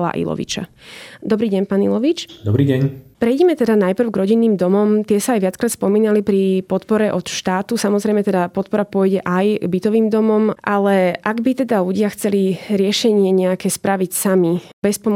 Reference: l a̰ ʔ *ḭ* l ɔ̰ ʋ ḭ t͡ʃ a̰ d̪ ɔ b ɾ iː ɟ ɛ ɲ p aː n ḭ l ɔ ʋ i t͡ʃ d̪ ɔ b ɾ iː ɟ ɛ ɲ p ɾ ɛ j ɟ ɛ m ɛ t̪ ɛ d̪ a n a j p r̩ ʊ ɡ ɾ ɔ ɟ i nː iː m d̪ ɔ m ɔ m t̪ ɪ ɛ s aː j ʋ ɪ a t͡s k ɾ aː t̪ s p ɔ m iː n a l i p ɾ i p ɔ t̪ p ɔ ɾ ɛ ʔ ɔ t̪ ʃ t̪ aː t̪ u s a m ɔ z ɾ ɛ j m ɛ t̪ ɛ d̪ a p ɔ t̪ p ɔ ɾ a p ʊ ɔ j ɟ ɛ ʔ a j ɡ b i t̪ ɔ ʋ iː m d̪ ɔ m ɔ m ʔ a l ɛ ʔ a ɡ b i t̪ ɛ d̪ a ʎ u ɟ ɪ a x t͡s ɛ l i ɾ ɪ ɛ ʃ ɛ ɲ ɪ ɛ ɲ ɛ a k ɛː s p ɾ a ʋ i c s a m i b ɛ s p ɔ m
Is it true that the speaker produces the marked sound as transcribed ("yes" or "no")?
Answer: yes